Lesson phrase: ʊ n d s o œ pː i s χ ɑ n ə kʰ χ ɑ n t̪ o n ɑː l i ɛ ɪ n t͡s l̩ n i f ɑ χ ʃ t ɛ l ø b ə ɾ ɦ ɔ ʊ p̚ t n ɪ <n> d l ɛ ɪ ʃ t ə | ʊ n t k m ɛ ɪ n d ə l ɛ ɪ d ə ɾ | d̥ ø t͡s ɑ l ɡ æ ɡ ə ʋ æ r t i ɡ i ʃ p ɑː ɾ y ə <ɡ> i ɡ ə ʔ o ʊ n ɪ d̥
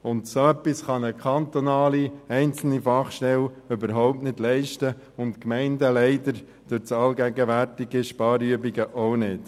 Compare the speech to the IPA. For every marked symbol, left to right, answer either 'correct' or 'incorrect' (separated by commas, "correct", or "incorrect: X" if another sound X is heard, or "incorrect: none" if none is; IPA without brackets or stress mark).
incorrect: none, incorrect: b